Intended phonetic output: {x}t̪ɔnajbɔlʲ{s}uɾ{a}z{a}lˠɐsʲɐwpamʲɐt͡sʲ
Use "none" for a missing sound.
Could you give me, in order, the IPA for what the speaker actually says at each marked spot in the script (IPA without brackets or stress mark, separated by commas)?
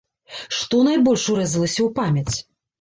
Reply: ʂ, ʂ, ɛ, ɐ